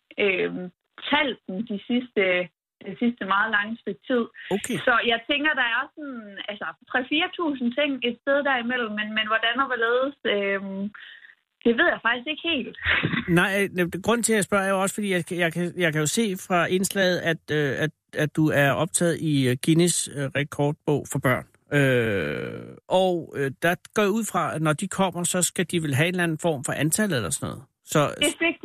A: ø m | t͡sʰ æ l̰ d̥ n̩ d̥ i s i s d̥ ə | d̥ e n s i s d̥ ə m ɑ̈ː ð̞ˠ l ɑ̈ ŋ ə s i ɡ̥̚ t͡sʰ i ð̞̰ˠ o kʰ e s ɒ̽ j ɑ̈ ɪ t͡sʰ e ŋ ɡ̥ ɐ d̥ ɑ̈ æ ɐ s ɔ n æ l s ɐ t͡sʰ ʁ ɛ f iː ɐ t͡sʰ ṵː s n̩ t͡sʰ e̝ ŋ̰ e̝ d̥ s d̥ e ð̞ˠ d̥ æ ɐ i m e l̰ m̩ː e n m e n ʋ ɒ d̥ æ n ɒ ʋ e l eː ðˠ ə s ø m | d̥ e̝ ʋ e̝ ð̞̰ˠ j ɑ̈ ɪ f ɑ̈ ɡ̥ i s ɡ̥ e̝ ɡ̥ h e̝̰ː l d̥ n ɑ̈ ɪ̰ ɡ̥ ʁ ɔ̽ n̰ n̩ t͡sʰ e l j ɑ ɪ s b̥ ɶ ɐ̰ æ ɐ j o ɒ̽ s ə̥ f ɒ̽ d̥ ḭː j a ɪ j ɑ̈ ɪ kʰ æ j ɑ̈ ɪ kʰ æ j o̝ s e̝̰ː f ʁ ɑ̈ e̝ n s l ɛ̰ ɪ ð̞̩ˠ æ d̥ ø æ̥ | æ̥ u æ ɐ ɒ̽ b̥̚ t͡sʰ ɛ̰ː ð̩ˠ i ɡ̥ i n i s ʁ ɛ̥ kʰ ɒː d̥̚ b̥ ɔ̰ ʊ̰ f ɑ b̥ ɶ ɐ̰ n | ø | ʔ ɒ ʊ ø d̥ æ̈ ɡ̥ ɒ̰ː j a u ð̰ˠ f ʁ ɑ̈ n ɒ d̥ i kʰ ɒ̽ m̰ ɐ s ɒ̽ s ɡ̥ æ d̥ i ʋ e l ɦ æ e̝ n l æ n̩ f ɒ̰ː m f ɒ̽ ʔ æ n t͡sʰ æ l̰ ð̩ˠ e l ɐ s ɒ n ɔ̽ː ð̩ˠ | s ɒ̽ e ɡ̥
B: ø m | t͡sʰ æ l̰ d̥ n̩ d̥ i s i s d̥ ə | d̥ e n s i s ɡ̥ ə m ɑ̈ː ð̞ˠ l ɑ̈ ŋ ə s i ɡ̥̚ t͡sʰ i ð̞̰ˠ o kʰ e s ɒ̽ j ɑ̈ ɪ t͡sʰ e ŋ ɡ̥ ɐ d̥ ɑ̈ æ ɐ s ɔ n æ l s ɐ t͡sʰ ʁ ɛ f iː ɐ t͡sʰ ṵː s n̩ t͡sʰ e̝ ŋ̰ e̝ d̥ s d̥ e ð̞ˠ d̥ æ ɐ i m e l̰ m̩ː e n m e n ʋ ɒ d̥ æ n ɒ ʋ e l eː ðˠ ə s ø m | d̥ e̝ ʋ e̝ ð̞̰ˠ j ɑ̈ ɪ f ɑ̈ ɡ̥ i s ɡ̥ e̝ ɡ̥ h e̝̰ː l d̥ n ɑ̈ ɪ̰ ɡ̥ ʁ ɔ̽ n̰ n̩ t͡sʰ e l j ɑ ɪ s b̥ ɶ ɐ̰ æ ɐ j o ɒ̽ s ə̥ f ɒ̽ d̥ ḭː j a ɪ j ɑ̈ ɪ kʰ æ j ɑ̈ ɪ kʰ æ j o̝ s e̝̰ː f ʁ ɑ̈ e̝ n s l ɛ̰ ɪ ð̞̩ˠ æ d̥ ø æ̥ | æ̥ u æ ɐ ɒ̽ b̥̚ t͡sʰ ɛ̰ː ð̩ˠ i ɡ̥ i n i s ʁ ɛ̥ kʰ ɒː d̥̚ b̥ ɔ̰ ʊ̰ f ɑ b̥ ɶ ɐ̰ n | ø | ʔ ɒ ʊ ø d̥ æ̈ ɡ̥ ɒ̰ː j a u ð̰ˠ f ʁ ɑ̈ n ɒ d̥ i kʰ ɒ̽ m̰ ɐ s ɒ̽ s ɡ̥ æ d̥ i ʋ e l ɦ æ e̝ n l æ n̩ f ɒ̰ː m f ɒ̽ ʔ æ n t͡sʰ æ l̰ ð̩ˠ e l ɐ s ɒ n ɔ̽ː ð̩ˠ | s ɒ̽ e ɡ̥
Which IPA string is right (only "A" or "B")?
A